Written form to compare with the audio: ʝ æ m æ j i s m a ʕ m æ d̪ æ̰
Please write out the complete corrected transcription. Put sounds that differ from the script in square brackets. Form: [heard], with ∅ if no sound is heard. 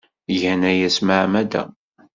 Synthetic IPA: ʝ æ [n] æ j [æ] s m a ʕ m æ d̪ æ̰